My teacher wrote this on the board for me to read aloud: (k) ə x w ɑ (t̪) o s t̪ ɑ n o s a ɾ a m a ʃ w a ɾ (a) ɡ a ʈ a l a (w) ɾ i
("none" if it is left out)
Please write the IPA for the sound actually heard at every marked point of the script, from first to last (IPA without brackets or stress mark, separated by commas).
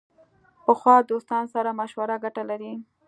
p, d̪, a, none